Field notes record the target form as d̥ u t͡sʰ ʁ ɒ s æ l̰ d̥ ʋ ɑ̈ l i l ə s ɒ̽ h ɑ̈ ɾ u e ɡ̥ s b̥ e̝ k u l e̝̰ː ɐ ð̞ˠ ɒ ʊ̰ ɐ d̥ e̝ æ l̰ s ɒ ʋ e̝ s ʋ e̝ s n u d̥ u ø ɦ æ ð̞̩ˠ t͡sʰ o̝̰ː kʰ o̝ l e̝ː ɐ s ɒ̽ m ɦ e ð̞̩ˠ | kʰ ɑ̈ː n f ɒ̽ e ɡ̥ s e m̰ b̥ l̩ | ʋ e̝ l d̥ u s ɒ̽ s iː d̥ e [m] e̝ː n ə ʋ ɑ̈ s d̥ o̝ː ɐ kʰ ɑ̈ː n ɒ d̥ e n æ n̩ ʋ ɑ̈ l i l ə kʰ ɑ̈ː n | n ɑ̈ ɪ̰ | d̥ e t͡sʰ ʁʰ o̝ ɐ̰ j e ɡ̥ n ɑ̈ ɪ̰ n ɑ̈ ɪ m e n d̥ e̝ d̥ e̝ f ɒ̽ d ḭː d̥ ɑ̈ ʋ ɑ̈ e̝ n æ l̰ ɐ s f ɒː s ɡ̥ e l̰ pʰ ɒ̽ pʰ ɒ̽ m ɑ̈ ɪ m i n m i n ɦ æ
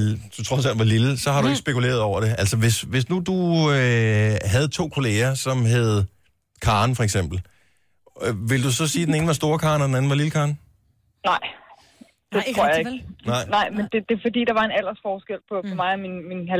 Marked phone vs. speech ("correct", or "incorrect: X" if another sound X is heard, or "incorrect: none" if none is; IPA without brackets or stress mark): incorrect: n